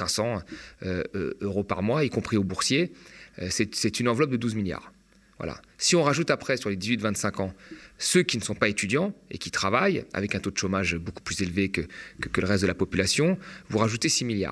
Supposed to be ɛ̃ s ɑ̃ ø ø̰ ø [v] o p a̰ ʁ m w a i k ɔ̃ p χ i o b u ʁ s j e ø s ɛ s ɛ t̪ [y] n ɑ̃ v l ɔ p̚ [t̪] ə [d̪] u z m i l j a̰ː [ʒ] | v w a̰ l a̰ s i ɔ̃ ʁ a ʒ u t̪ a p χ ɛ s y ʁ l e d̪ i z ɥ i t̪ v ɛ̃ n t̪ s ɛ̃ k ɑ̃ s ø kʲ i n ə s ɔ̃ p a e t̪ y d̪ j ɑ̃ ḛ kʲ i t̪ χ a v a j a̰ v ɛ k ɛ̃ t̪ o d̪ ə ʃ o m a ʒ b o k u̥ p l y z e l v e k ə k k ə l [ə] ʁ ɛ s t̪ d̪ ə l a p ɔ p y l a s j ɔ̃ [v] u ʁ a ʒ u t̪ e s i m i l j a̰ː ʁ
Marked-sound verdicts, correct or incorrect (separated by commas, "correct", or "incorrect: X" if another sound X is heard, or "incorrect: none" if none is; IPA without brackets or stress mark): incorrect: ʁ, correct, incorrect: d̪, correct, incorrect: ʁ, correct, correct